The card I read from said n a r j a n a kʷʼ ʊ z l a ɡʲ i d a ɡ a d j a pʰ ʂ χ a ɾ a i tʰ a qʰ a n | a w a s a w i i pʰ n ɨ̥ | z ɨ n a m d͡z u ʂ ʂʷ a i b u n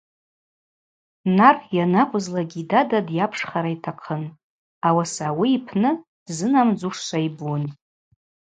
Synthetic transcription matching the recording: n a r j a n a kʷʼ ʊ z l a ɡʲ i d a d a d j a pʰ ʂ χ a ɾ a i tʰ a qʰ ə n | a w a s a w i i pʰ n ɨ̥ | z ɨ n a m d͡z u ʂ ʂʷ a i b u n